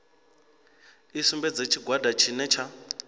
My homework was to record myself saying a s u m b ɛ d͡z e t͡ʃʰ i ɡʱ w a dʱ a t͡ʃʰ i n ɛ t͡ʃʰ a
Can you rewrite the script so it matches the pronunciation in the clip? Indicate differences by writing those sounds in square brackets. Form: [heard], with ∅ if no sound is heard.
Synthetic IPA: [i] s u m b ɛ d͡z e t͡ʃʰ i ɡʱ w a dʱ a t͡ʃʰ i n ɛ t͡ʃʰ a